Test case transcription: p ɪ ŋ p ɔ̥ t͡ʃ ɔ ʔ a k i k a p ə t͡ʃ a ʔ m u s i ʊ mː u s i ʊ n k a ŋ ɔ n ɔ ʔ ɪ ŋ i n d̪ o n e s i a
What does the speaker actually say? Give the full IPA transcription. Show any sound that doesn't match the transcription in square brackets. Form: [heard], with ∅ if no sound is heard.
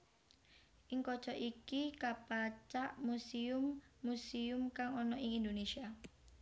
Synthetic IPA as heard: [ʔ] ɪ ŋ [k] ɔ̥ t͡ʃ ɔ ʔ [i] k i k a p [a] t͡ʃ a ʔ m u s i ʊ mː u s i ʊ [m] k a ŋ ɔ n ɔ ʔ ɪ ŋ i n d̪ o n e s i a